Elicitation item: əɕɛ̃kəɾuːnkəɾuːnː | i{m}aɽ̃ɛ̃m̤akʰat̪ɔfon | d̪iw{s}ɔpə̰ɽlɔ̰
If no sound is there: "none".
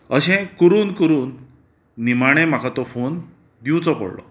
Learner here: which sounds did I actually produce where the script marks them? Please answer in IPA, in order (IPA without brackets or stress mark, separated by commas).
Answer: m, t͡s